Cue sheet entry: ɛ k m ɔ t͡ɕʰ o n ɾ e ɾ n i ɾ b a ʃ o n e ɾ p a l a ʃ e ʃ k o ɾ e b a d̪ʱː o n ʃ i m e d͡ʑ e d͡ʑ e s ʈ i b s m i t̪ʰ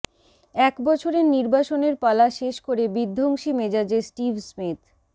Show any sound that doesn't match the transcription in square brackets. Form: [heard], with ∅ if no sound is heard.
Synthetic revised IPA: ɛ k [b] ɔ t͡ɕʰ o [∅] ɾ e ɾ n i ɾ b a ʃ o n e ɾ p a l a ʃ e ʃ k o ɾ e b [i] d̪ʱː o [ŋ] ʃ i m e d͡ʑ [a] d͡ʑ e s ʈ i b s m i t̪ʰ